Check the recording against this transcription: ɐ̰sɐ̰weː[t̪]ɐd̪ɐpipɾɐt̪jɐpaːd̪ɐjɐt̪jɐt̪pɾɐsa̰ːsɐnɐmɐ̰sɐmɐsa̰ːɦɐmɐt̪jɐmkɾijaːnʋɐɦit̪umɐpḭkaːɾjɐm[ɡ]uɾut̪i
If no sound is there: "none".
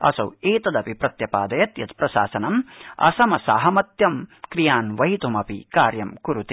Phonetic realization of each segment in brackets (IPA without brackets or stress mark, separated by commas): t̪, k